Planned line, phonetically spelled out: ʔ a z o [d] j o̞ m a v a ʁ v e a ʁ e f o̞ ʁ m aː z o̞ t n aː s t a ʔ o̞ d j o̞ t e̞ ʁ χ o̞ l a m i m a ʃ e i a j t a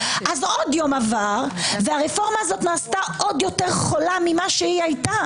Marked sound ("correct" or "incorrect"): correct